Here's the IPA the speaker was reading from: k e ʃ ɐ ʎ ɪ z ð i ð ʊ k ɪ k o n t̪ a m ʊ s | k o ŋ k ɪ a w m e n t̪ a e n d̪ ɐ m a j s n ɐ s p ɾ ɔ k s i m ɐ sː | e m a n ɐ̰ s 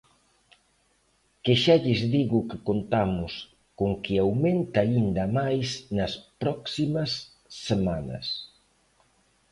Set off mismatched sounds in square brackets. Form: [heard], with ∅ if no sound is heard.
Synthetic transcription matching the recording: k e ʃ [a] ʎ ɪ z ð i [ɣ] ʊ k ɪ k o n t̪ a m ʊ s | k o ŋ k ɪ a w m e n t̪ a [i] n d̪ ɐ m a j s n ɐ s p ɾ ɔ k s i m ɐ sː | e m a n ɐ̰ s